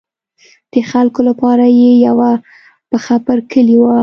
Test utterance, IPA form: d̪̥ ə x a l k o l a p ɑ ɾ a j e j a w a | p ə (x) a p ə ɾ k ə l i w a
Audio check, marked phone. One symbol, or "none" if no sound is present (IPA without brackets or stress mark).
x